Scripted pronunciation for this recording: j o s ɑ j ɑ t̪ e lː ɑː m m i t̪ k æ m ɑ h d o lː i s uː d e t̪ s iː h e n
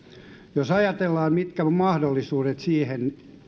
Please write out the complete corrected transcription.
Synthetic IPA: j o s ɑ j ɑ t̪ e lː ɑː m m i t̪ k æ m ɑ h d o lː i s uː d e t̪ s iː h e n